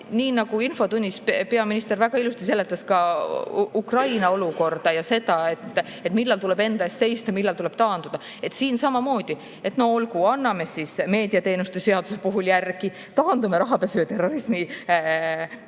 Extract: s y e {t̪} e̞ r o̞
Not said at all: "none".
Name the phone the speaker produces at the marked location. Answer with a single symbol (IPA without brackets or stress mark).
t̪